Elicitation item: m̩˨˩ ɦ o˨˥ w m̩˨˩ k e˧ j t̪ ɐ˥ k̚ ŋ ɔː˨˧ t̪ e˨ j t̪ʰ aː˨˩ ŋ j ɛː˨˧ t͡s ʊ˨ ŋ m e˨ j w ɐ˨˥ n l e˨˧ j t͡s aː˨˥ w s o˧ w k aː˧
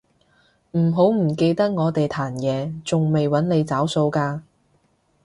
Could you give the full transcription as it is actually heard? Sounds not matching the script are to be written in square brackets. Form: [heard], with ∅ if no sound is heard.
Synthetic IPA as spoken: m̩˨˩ ɦ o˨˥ w m̩˨˩ k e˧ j t̪ ɐ˥ k̚ ŋ ɔː˨˧ t̪ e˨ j t̪ʰ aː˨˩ [n] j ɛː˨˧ t͡s ʊ˨ ŋ m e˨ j w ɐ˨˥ n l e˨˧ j t͡s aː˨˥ w s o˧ w k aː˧